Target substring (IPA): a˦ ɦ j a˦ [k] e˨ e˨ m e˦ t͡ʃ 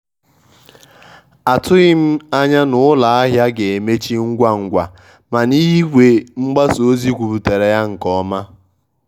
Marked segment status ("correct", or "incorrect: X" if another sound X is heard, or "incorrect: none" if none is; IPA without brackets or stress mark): incorrect: ɡ